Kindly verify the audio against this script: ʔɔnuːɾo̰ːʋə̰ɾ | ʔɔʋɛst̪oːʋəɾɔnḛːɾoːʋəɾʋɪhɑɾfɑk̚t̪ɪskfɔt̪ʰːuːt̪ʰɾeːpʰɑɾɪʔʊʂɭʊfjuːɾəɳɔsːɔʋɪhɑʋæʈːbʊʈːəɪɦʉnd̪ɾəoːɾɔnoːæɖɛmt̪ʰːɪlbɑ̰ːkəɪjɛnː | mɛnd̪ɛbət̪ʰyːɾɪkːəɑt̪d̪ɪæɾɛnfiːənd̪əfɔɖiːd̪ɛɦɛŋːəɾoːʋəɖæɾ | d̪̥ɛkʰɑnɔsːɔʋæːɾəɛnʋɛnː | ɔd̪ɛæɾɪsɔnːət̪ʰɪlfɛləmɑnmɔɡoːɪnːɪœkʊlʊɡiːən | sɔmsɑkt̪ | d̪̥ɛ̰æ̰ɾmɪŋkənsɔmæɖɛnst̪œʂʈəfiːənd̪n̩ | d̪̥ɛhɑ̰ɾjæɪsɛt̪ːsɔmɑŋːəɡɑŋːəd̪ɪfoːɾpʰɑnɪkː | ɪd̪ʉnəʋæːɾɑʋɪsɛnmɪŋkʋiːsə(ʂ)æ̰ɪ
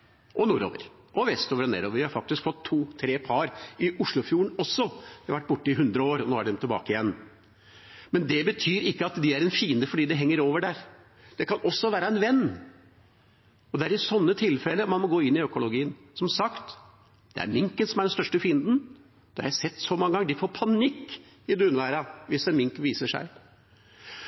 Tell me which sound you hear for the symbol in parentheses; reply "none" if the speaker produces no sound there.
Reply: ʂ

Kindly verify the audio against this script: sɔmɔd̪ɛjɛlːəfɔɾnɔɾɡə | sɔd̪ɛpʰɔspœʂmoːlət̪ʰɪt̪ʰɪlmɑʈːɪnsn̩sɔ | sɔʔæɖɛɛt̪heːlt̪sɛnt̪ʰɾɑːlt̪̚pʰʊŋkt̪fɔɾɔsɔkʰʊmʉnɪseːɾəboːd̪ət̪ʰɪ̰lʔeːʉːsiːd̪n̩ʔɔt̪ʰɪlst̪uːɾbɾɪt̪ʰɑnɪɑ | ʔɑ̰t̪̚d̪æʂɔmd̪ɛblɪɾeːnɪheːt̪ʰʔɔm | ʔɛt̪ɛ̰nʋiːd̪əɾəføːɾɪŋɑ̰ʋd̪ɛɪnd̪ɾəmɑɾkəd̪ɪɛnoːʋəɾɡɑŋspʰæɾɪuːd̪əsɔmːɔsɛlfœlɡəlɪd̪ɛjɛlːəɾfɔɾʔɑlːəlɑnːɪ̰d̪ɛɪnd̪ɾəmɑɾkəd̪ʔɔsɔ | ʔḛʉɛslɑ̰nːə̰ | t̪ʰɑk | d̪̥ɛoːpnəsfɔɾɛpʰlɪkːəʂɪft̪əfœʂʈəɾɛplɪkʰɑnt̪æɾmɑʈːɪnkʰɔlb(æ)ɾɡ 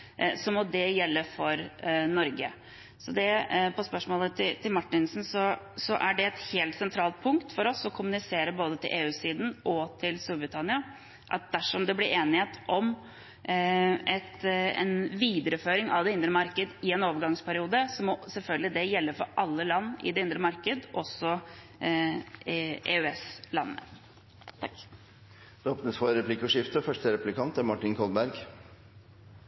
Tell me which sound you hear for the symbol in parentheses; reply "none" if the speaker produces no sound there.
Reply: æ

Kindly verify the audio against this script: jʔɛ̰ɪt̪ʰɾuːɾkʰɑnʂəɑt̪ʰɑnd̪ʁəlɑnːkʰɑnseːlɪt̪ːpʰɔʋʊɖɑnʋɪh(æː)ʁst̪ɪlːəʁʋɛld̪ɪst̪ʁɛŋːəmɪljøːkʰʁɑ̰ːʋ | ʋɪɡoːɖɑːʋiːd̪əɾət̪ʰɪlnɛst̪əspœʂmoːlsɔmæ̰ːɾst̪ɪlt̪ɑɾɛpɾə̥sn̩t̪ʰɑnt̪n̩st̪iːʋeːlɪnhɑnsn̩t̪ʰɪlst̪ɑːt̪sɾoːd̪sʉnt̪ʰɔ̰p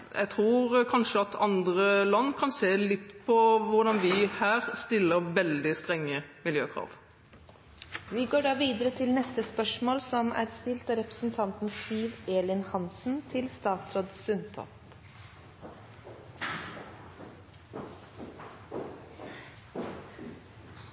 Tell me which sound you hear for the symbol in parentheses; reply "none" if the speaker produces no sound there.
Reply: æː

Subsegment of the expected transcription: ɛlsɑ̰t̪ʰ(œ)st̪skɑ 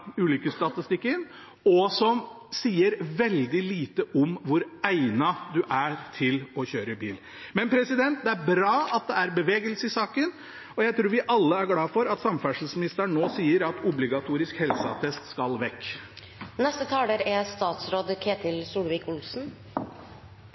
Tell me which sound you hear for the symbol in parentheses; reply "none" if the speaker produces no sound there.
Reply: ɛ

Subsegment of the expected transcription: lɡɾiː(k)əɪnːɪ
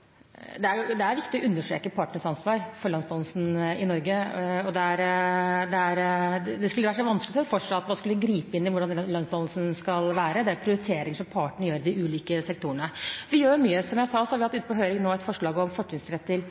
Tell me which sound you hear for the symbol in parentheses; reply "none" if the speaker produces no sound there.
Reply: p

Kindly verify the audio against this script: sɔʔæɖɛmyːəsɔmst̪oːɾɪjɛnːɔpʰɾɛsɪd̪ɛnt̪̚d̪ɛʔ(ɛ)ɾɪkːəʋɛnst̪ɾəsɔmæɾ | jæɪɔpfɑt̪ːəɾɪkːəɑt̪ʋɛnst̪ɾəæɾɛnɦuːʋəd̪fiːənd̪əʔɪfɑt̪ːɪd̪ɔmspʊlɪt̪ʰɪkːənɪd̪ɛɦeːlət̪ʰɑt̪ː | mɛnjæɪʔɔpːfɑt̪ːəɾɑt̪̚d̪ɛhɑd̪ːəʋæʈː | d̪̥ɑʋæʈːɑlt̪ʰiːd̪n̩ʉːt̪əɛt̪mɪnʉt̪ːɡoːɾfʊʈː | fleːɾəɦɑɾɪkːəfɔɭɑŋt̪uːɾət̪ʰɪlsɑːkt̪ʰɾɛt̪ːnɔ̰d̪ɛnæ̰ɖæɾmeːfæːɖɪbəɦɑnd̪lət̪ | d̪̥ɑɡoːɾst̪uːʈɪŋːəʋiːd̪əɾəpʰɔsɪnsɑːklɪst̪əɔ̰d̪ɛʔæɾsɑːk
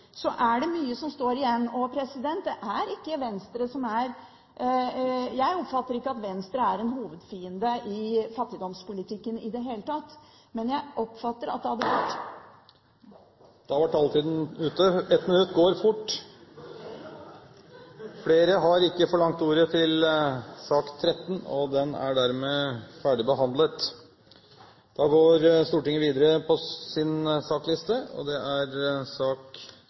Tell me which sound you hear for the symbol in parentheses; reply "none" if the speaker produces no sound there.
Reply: æ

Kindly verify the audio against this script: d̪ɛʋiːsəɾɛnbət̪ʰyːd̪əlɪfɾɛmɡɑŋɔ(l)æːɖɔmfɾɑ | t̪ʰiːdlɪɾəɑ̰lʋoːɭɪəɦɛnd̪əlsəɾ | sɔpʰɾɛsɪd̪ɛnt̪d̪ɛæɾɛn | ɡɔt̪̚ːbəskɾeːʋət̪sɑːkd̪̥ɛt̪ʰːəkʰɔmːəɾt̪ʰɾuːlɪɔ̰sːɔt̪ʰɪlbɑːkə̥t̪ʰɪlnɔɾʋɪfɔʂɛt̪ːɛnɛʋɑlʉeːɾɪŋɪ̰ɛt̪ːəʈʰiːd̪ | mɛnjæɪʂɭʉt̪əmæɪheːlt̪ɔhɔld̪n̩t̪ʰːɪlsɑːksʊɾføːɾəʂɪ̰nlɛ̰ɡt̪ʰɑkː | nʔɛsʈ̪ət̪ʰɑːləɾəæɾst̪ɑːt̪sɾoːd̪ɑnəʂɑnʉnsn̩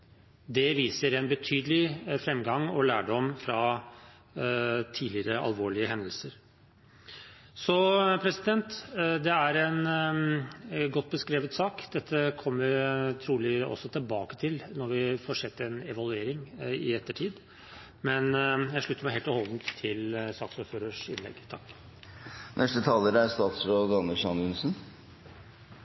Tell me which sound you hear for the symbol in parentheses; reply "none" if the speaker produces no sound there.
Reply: l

